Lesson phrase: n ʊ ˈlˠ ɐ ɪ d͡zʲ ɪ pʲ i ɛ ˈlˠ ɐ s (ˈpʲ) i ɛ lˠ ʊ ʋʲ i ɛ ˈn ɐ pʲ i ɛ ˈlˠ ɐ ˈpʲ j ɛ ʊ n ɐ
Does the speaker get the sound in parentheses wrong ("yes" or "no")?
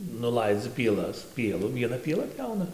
no